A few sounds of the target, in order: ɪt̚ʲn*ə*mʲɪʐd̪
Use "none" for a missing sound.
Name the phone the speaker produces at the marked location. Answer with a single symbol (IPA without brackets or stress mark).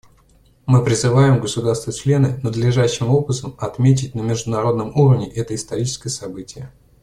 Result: ə